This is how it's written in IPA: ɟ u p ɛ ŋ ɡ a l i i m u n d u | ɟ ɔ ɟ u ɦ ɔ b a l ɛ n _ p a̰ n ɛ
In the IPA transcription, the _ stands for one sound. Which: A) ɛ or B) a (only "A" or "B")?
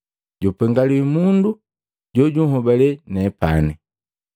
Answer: A